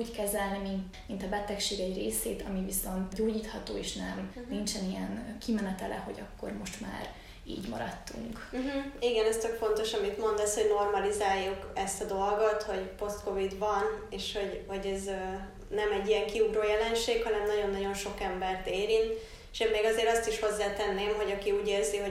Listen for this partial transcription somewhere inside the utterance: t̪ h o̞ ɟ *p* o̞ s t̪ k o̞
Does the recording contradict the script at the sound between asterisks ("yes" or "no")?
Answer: no